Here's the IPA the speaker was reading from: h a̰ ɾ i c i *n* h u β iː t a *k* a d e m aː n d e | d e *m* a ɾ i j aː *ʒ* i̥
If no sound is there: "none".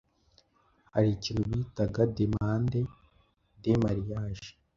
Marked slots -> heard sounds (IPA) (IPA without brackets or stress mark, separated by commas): n, ɡ, m, ʒ